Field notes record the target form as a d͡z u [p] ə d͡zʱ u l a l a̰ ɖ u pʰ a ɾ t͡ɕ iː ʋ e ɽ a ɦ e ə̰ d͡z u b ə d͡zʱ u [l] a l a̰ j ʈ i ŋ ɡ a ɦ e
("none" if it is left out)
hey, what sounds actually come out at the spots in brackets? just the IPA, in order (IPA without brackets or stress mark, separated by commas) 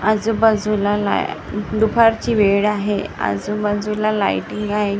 b, l